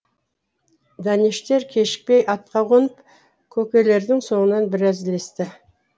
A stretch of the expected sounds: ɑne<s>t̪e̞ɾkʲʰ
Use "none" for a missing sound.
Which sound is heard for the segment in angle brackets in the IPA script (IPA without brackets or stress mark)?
ʃ